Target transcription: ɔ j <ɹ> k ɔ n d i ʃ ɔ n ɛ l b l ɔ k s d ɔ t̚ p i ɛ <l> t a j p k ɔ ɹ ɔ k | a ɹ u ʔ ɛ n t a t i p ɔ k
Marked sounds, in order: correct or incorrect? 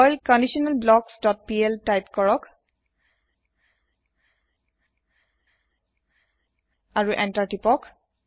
incorrect, correct

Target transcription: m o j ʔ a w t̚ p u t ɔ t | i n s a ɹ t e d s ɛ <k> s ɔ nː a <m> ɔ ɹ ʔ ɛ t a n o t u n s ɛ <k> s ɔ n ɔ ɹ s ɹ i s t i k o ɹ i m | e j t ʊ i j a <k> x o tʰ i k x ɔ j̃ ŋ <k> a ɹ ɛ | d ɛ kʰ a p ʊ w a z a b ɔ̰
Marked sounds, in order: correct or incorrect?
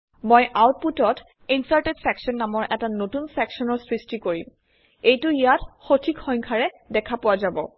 correct, correct, correct, incorrect, incorrect

